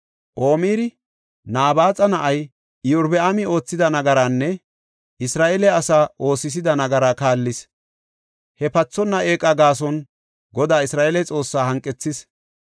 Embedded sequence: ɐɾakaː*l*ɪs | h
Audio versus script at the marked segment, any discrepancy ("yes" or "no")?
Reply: yes